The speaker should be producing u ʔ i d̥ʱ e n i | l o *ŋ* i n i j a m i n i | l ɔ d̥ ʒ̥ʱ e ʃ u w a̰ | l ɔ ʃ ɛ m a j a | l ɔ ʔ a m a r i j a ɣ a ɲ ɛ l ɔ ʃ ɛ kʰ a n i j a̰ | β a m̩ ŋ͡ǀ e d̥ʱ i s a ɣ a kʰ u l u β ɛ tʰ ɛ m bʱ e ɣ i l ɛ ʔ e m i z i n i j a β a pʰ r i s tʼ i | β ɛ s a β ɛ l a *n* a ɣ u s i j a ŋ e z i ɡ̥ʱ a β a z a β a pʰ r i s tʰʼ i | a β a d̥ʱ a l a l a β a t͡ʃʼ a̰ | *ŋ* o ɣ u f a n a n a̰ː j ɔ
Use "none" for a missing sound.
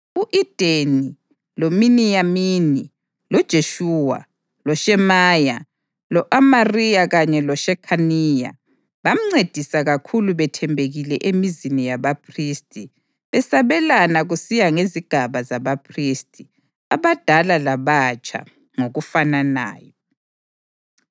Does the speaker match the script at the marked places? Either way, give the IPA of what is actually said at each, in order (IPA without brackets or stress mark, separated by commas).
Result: m, n, ŋ